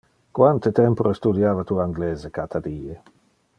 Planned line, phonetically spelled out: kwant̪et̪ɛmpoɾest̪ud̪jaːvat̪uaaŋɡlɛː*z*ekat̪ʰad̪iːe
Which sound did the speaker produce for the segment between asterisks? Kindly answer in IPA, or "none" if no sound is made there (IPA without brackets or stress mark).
z